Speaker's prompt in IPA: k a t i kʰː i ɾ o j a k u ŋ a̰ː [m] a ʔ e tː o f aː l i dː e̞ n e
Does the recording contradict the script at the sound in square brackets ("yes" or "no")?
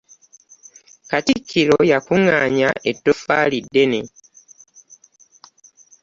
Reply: yes